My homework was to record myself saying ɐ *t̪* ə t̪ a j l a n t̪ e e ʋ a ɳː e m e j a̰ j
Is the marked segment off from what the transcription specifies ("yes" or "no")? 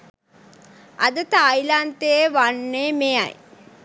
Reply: yes